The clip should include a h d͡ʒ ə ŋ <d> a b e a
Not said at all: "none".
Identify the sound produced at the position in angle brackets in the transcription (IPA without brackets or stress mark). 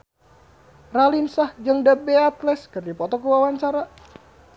d